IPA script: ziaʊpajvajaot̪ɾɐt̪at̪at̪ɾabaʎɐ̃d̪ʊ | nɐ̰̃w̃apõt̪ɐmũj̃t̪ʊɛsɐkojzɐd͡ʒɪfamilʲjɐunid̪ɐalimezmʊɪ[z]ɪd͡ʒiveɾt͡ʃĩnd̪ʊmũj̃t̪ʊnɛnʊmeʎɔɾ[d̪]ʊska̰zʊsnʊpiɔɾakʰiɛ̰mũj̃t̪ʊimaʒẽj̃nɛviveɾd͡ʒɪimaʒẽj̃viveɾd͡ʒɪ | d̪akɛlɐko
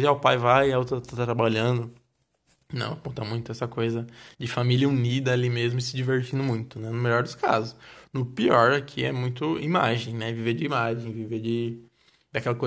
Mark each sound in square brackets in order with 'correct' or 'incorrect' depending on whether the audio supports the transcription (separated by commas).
incorrect, correct